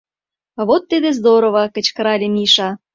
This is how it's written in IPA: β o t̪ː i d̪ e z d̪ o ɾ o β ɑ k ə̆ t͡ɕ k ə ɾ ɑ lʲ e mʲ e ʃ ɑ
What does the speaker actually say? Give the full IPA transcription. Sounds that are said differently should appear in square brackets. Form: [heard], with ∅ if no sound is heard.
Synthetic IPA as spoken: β o t̪ː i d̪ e z d̪ o ɾ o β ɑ k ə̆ t͡ɕ k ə ɾ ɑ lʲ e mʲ [i] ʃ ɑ

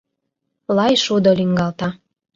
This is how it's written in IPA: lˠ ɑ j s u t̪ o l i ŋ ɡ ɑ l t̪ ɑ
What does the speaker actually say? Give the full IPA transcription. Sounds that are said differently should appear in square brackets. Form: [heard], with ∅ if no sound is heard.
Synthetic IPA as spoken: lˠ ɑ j [ʃ] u [d̪] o l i ŋ ɡ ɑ l t̪ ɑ

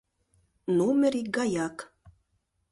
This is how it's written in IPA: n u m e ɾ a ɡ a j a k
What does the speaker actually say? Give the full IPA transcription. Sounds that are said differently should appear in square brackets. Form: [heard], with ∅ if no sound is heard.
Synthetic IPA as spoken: n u m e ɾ [i] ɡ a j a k

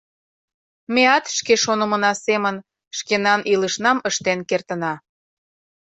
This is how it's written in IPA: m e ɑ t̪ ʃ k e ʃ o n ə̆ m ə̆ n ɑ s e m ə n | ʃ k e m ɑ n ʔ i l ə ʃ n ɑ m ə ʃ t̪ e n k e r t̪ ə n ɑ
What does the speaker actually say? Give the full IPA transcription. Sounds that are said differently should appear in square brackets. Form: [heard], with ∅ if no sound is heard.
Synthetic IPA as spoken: m e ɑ t̪ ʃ k e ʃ o n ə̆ m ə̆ n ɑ s e m ə n | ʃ k e [n] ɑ n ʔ i l ə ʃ n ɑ m ə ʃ t̪ e n k e r t̪ ə n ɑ

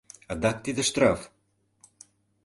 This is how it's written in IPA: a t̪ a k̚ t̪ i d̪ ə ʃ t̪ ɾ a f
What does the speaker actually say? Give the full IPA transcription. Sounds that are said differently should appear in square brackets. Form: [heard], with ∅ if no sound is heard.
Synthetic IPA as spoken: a [d̪] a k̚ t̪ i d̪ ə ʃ t̪ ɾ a f

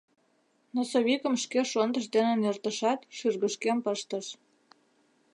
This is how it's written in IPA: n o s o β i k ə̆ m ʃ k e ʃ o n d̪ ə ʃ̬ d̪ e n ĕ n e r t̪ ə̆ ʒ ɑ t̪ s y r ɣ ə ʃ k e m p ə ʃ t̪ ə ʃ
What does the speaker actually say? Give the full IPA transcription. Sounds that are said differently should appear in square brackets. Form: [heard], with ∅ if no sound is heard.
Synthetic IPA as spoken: n o s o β i k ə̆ m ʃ k e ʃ o n d̪ ə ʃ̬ d̪ e n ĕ n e r t̪ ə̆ [ʃ] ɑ t̪ [ʃ] y r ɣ ə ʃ k e m p ə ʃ t̪ ə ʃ

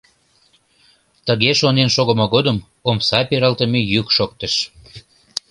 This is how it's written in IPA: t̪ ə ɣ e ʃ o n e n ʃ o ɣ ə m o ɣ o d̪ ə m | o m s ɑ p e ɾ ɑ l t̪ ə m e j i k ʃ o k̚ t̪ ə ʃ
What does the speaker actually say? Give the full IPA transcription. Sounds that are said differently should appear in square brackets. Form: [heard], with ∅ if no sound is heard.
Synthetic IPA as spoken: t̪ ə ɣ e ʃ o n e n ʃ o ɣ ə m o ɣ o d̪ ə m | o m s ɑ p e ɾ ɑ l t̪ ə m e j [y] k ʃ o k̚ t̪ ə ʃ

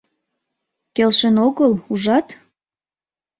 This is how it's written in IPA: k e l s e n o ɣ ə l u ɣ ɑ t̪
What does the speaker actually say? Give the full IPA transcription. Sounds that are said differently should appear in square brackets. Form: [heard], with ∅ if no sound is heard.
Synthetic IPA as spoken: k e l [ʃ] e n o ɣ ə l u [ʒ] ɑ t̪

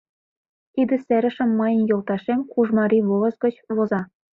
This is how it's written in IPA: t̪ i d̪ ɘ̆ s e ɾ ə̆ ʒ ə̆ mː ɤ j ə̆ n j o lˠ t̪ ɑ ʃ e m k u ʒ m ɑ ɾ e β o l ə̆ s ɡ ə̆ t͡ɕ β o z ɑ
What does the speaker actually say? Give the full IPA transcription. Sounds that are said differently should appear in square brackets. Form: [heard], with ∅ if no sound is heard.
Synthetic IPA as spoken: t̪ i d̪ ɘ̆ s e ɾ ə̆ [ʃ] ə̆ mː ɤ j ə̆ n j o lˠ t̪ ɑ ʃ e m k u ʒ m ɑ ɾ [i] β o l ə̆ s ɡ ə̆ t͡ɕ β o z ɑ

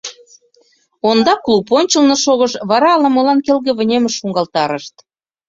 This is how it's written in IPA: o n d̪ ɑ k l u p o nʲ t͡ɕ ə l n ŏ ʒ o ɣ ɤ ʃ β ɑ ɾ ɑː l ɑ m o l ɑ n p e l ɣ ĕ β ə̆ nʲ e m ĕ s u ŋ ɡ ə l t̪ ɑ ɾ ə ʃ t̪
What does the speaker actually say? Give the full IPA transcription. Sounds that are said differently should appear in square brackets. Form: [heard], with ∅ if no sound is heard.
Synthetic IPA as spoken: o n d̪ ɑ k l u p o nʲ t͡ɕ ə l n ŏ [ʃ] o ɣ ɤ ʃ β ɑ ɾ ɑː l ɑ m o l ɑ n [k] e l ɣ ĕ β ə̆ nʲ e m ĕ [ʃ] u ŋ ɡ [ɑ] l t̪ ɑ ɾ ə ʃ t̪

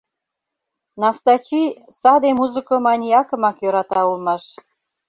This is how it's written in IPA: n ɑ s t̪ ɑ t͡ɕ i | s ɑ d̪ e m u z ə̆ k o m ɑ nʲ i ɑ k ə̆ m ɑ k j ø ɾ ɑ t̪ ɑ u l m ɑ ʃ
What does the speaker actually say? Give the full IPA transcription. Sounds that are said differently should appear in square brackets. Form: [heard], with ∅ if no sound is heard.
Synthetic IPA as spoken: n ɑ s t̪ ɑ t͡ɕ i | s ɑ d̪ e m u z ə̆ k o m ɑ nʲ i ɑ k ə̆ m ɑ k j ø ɾ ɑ t̪ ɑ u l m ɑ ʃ

